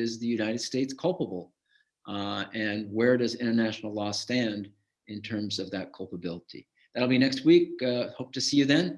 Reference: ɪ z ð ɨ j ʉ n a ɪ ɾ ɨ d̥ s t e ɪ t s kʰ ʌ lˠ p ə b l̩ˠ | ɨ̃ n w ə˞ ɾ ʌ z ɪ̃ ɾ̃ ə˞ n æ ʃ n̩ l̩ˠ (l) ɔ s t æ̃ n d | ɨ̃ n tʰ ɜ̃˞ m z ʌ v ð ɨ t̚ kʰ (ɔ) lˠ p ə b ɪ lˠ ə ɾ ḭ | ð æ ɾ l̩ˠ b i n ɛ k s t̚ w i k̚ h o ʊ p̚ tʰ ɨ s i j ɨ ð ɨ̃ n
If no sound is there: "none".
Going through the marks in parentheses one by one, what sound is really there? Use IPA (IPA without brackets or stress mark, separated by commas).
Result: l, ʌ